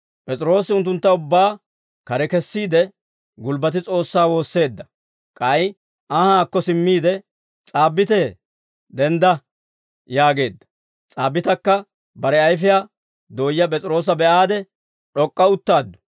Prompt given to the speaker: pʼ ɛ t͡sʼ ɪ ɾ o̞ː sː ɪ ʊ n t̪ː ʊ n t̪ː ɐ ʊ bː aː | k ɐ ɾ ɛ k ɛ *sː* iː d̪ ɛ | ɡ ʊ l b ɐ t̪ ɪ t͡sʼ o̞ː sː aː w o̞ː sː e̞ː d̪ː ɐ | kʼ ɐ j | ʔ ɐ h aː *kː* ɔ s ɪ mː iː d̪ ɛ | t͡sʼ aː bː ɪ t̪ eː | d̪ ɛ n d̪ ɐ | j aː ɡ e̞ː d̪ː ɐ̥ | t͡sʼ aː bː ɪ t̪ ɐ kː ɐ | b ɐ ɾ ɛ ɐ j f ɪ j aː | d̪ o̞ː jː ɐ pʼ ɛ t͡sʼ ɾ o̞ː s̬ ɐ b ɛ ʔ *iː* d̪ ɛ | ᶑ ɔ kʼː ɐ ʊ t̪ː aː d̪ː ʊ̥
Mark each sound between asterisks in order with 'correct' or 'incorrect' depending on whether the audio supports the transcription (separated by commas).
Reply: correct, correct, incorrect